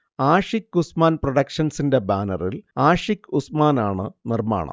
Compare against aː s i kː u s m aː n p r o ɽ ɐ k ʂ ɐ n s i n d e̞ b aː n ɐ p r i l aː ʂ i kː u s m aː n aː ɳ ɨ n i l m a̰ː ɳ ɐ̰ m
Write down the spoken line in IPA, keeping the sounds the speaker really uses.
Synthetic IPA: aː ʂ i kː u s m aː n p r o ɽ ɐ k ʂ ɐ n s i n d e̞ b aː n ɐ r i l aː ʂ i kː u s m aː n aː ɳ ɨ n i r m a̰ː ɳ ɐ̰ m